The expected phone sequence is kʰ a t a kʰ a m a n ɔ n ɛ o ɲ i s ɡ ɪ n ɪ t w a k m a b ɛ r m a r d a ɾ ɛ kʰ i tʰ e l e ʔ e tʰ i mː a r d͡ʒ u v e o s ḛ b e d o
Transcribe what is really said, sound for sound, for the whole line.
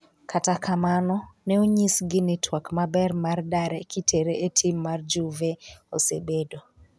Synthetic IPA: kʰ a t a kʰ a m a n ɔ n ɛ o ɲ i s ɡ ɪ n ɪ t w a k m a b ɛ r m a r d a ɾ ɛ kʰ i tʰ e ɾ e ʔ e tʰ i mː a r d͡ʒ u v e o s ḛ b e d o